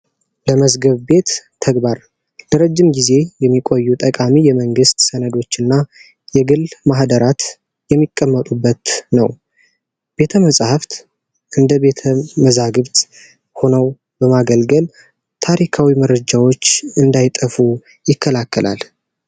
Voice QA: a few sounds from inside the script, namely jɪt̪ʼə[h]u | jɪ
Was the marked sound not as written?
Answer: yes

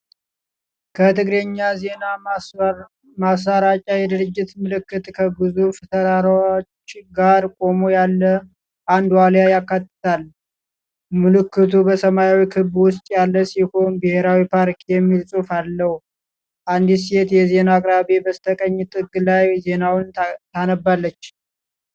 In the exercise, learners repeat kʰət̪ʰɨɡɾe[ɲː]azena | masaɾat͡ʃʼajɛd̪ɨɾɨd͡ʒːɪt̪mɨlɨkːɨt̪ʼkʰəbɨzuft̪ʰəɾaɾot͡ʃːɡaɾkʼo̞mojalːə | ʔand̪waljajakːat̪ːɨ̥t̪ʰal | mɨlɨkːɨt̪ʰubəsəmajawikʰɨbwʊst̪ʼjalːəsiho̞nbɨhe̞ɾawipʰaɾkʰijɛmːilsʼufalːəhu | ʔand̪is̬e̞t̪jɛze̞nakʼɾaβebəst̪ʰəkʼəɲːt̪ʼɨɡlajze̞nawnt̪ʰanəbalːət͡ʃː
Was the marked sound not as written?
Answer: no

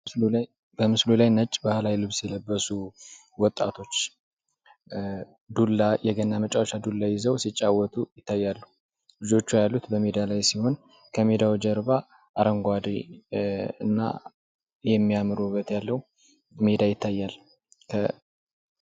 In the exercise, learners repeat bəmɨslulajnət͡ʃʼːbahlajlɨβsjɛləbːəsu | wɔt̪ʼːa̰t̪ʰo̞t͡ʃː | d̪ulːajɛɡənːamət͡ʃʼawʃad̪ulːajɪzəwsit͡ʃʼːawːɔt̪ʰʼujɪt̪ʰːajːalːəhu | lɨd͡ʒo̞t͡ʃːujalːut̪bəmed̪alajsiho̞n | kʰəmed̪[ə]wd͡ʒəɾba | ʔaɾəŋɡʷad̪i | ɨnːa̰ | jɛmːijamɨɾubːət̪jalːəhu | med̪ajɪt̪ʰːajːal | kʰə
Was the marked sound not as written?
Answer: yes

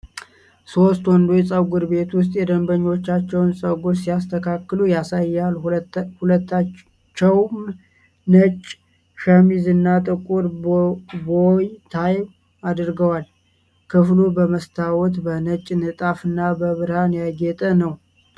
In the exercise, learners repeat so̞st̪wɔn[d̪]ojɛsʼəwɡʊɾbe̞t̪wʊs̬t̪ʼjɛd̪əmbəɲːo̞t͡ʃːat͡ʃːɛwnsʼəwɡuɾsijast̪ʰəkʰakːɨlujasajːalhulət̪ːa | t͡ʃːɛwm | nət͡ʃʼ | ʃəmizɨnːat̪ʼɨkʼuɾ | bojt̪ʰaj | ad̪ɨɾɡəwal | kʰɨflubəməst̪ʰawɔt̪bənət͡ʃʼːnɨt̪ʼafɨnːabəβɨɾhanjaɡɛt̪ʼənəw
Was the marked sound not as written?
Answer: no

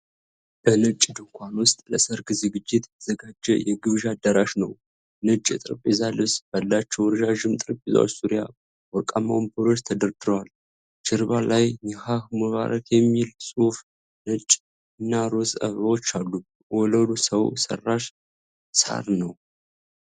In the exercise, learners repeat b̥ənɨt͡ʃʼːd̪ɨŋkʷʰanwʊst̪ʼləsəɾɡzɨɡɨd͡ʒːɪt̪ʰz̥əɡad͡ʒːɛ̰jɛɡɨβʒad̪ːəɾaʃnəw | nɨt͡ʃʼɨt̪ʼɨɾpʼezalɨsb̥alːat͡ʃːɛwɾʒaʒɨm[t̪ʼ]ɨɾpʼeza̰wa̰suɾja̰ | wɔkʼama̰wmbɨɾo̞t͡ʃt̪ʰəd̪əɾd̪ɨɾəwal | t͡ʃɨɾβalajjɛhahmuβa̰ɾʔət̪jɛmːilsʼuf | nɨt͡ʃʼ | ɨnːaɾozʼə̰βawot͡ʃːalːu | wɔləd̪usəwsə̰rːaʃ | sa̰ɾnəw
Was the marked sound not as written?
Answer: no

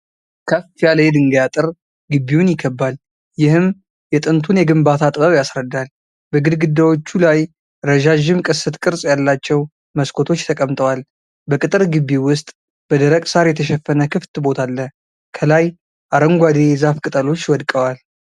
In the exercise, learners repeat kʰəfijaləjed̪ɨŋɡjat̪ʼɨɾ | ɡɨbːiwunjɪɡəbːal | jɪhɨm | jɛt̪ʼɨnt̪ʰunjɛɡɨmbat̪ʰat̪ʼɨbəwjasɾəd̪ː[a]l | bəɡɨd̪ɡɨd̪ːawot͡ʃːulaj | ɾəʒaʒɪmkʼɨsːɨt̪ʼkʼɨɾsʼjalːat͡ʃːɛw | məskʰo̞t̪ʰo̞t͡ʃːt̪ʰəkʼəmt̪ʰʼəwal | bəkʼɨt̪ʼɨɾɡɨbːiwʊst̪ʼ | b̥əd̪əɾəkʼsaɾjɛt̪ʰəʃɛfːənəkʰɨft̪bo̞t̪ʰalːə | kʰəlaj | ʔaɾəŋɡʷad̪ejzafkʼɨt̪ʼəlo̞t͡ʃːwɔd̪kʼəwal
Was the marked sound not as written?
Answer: no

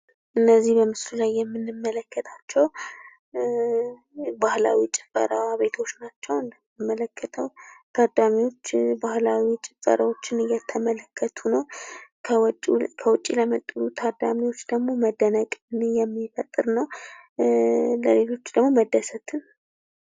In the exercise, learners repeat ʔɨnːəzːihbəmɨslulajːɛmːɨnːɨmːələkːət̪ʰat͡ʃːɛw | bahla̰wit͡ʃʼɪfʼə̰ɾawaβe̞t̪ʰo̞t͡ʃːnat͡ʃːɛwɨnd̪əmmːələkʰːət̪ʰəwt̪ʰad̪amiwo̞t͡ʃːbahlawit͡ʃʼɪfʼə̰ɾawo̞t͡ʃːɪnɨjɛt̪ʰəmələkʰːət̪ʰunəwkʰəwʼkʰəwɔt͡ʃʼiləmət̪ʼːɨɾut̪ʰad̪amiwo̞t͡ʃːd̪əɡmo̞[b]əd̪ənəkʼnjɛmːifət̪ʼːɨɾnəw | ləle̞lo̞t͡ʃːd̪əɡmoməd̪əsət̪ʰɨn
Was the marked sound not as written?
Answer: yes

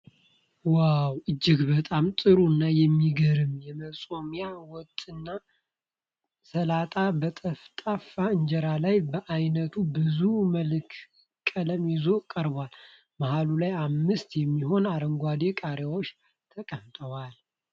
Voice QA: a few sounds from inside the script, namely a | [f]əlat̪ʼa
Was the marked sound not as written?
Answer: yes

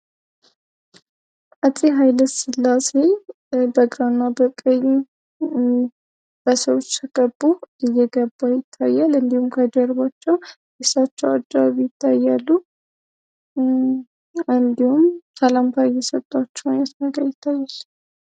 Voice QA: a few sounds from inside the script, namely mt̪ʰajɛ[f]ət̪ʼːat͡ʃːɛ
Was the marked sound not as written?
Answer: yes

